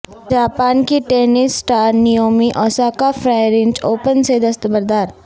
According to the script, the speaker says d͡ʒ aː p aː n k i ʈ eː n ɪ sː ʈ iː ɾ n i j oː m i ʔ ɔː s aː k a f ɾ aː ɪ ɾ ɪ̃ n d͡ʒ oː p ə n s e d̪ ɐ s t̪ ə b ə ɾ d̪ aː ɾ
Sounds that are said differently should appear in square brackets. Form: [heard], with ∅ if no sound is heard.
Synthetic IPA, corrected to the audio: d͡ʒ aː p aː n k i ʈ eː n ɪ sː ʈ [aː] ɾ n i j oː m i ʔ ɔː s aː k a f ɾ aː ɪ ɾ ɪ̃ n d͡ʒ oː p ə n s e d̪ ɐ s t̪ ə b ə ɾ d̪ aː ɾ